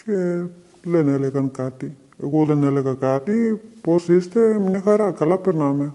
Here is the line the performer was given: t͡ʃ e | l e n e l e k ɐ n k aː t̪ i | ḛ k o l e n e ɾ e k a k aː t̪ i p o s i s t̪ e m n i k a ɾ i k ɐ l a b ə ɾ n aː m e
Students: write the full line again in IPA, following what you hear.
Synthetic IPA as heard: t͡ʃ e | l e n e l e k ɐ n k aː t̪ i | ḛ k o l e n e l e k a k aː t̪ i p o s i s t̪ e m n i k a ɾ a k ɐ l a p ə ɾ n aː m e